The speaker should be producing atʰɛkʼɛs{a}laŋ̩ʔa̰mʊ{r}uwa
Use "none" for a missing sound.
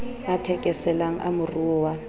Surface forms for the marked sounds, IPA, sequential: ɛ, r

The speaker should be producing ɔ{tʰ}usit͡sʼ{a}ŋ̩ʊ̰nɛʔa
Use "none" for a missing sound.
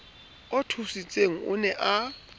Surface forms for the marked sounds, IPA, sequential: tʰ, e

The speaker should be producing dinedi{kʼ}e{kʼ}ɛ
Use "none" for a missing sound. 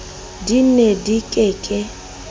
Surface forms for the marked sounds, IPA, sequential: kʼ, kʼ

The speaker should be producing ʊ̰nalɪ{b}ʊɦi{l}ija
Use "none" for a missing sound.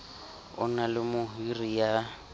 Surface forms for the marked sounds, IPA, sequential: m, r

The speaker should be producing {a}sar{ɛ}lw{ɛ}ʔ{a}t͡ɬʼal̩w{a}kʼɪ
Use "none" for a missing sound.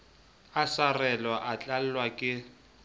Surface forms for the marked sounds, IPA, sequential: a, ɛ, a, a, a

